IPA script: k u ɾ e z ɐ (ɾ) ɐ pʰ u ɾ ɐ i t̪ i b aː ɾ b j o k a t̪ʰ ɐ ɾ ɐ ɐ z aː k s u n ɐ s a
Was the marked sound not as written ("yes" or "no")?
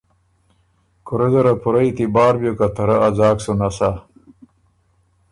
no